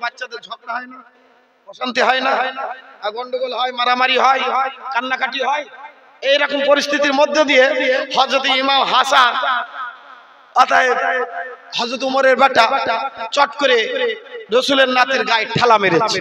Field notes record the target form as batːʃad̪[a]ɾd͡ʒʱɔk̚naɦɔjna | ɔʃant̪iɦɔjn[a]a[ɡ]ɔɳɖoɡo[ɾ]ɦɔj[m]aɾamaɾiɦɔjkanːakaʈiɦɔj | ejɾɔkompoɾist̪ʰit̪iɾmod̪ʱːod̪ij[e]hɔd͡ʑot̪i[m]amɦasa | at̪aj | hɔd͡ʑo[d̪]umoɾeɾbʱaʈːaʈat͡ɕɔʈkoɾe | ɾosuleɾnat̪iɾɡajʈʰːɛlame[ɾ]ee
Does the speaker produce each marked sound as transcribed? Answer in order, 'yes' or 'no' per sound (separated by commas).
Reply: no, yes, yes, no, yes, yes, yes, no, yes